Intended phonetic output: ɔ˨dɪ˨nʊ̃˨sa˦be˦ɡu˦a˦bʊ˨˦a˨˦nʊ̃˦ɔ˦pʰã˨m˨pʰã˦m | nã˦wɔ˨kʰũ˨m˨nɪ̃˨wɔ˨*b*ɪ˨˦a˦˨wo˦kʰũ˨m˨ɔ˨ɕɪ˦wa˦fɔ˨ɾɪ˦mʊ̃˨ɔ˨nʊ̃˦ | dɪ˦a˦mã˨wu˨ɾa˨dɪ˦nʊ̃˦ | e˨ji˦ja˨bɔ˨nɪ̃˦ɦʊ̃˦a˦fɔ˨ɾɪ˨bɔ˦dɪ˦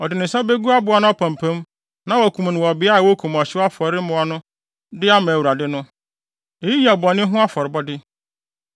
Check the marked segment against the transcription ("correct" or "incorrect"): correct